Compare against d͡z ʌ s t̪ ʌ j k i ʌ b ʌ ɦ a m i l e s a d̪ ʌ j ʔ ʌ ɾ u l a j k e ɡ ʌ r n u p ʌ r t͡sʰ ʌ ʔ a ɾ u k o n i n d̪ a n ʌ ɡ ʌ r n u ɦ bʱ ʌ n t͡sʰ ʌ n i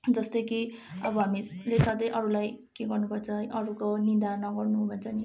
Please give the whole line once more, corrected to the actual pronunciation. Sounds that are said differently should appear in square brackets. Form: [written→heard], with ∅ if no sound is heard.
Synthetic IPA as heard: d͡z ʌ s t̪ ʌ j k i ʌ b ʌ ɦ a m i l e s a d̪ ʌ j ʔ ʌ ɾ u l a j k e ɡ ʌ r n u p ʌ r t͡sʰ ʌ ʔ [a→ʌ] ɾ u k o n i n d̪ a n ʌ ɡ ʌ r n u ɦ bʱ ʌ n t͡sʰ ʌ n i